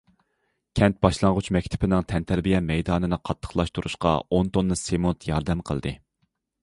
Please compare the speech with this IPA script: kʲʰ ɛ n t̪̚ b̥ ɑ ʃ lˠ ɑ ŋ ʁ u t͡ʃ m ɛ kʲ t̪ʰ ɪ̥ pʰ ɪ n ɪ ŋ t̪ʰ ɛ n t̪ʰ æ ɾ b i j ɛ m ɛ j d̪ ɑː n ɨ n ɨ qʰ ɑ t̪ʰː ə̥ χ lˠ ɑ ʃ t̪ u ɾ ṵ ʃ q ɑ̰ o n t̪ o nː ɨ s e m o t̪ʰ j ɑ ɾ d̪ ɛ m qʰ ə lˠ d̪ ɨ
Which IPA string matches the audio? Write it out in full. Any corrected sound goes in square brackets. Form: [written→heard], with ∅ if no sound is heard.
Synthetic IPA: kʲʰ ɛ n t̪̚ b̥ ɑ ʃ lˠ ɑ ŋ ʁ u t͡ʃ m ɛ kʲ t̪ʰ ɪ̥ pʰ ɪ n ɪ ŋ t̪ʰ ɛ n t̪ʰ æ ɾ b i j ɛ m ɛ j d̪ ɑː n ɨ n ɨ qʰ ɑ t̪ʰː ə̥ χ lˠ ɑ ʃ t̪ u ɾ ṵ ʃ q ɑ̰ o n t̪ o nː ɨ s e m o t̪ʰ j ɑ ɾ d̪ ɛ m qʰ ə lˠ d̪ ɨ

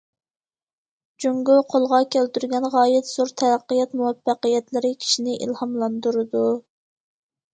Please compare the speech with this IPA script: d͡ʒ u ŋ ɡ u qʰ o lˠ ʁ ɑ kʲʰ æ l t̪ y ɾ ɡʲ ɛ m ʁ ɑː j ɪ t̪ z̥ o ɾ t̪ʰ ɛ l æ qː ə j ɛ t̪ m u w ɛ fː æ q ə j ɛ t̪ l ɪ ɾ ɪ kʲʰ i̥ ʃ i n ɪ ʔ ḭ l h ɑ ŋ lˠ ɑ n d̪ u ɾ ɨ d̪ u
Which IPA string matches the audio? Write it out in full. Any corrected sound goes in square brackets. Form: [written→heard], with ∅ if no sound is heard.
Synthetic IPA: d͡ʒ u ŋ ɡ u qʰ o lˠ ʁ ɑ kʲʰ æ l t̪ y ɾ ɡʲ ɛ [m→n] ʁ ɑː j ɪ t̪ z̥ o ɾ t̪ʰ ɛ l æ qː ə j ɛ t̪ m u w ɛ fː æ q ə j ɛ t̪ l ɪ ɾ ɪ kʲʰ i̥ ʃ i n ɪ ʔ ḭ l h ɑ [ŋ→m] lˠ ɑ n d̪ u ɾ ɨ d̪ u

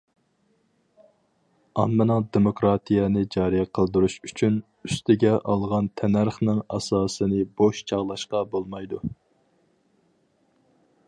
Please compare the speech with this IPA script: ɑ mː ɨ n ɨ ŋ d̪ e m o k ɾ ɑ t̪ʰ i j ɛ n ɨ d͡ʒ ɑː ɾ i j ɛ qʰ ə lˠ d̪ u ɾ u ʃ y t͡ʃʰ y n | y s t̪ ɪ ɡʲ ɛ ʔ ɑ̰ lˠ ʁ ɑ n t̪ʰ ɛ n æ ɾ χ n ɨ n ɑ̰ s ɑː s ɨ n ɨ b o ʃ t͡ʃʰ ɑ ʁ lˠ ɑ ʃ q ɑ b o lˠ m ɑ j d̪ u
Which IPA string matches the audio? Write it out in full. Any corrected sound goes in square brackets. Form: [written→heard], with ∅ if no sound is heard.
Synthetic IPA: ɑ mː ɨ n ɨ ŋ d̪ e m o k ɾ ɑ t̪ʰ i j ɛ n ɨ d͡ʒ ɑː ɾ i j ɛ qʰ ə lˠ d̪ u ɾ u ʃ y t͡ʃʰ y n | y s t̪ ɪ ɡʲ ɛ ʔ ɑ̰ lˠ ʁ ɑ n t̪ʰ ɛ n æ ɾ χ n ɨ [n→ŋ] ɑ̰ s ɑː s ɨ n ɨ b o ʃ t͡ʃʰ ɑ ʁ lˠ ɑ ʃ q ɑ b o lˠ m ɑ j d̪ u

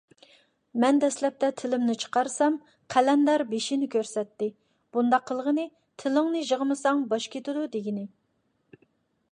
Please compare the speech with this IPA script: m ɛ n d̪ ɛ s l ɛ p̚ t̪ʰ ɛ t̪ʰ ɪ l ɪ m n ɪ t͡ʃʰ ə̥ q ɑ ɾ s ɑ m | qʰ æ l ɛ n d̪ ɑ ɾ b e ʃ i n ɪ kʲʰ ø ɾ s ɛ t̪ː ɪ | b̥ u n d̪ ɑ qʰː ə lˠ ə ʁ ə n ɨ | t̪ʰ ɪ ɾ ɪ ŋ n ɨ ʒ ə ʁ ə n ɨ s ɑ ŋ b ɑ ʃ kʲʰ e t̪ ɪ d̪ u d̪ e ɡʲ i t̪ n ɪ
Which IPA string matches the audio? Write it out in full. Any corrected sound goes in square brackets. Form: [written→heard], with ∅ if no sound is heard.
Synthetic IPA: m ɛ n d̪ ɛ s l ɛ p̚ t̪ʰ ɛ t̪ʰ ɪ l ɪ m n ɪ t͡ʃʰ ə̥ q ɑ ɾ s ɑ m | qʰ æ l ɛ n d̪ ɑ ɾ b e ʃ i n ɪ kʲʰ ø ɾ s ɛ t̪ː ɪ | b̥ u n d̪ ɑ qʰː ə lˠ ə ʁ ə n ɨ | t̪ʰ ɪ [ɾ→l] ɪ ŋ n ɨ ʒ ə ʁ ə [n→m] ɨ s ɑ ŋ b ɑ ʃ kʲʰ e t̪ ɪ d̪ u d̪ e ɡʲ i [t̪→∅] n ɪ

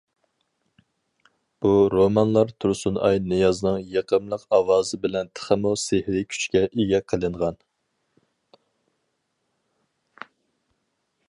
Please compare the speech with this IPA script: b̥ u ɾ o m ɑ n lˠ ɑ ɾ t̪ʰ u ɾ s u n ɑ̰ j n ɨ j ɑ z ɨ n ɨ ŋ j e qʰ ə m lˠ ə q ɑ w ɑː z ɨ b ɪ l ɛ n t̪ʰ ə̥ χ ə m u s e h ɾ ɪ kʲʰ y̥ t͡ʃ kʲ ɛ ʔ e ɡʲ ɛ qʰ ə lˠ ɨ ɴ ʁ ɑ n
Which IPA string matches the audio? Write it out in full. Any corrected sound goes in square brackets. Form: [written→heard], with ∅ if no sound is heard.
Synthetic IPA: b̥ u ɾ o m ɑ n lˠ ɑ ɾ t̪ʰ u ɾ s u n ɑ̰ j n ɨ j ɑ z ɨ n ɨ ŋ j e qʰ ə m lˠ ə q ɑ w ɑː z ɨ b ɪ l ɛ n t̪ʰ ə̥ χ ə m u s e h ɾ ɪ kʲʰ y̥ t͡ʃ kʲ ɛ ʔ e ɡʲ ɛ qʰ ə lˠ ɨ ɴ ʁ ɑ n

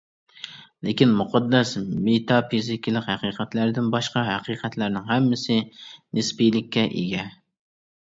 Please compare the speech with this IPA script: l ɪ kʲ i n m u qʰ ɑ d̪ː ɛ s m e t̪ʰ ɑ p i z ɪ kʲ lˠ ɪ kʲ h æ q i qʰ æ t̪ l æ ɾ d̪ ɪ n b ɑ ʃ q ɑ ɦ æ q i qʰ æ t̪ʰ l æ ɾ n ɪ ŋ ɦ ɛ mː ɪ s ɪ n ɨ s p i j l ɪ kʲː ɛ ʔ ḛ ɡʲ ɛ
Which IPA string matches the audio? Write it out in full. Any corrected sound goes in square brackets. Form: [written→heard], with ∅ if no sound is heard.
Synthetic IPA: l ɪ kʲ i n m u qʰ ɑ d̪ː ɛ s m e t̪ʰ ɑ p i z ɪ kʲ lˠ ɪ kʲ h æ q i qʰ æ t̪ l æ ɾ d̪ ɪ n b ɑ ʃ q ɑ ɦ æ q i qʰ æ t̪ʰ l æ ɾ n ɪ ŋ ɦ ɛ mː ɪ s ɪ n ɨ s p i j l ɪ kʲː ɛ ʔ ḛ ɡʲ ɛ

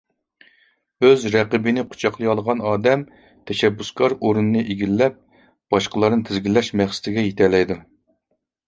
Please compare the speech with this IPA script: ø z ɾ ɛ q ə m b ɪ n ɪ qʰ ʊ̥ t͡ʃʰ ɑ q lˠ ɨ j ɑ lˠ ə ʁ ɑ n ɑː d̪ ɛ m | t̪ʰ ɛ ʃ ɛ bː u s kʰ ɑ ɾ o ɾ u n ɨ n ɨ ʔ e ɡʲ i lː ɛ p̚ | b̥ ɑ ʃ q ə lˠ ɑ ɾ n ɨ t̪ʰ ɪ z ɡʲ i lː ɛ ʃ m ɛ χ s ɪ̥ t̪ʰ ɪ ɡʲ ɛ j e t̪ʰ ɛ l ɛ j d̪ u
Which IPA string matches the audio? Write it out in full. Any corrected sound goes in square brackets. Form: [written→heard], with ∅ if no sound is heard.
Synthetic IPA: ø z ɾ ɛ q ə [m→∅] b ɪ n ɪ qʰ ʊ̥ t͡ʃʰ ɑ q lˠ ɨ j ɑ lˠ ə ʁ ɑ n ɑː d̪ ɛ m | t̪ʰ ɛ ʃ ɛ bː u s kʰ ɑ ɾ o ɾ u n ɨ n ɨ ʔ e ɡʲ i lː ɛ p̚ | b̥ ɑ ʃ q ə lˠ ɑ ɾ n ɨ t̪ʰ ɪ z ɡʲ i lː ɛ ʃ m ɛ χ s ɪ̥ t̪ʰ ɪ ɡʲ ɛ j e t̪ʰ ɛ l ɛ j d̪ u

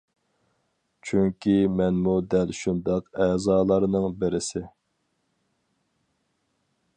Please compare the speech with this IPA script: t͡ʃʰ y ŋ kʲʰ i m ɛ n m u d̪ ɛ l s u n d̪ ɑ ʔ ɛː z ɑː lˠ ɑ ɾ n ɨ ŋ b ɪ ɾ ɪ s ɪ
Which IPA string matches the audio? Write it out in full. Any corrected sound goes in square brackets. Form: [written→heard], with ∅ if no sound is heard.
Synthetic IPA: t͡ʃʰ y ŋ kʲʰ i m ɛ n m u d̪ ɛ l [s→ʃ] u n d̪ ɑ [ʔ→q] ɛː z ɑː lˠ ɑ ɾ n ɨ ŋ b ɪ ɾ ɪ s ɪ

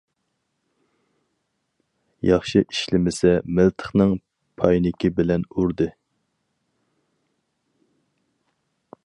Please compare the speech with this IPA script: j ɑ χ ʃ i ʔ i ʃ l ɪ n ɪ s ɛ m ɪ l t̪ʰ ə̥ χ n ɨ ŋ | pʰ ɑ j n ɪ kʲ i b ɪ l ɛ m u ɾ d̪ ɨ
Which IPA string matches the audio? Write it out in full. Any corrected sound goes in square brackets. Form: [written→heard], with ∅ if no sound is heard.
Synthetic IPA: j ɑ χ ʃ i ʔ i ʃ l ɪ [n→m] ɪ s ɛ m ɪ l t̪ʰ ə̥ χ n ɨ ŋ | pʰ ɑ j n ɪ kʲ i b ɪ l ɛ [m→n] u ɾ d̪ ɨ

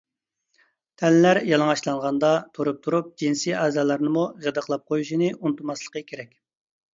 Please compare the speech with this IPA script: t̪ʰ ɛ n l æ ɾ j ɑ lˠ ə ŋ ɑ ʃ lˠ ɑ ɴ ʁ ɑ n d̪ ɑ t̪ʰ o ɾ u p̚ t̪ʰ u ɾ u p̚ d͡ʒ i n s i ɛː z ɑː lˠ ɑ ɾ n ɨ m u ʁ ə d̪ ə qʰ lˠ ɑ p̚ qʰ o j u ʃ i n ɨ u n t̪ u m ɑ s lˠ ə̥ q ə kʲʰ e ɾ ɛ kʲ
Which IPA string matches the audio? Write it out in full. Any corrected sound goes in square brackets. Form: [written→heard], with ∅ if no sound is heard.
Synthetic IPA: t̪ʰ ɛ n l æ ɾ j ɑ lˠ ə ŋ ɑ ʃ lˠ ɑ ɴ ʁ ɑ n d̪ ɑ t̪ʰ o ɾ u p̚ t̪ʰ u ɾ u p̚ d͡ʒ i n s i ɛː z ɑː lˠ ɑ ɾ n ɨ m u ʁ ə d̪ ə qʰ lˠ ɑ p̚ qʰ o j u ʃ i n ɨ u n t̪ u m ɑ s lˠ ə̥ q ə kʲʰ e ɾ ɛ kʲ

